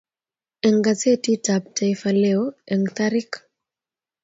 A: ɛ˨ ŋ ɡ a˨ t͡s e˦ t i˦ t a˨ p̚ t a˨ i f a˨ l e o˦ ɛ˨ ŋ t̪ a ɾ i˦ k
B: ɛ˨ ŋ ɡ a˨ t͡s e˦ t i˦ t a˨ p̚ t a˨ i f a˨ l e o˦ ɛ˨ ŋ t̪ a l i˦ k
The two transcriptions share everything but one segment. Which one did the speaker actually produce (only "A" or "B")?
A